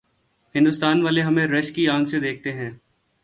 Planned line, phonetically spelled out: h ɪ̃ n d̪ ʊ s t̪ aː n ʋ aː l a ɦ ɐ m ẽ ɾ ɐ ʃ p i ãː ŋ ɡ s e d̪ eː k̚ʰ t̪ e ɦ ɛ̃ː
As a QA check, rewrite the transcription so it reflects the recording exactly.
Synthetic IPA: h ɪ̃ n d̪ ʊ s t̪ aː n ʋ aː l e ɦ ɐ m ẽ ɾ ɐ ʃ k i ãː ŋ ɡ s e d̪ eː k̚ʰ t̪ e ɦ ɛ̃ː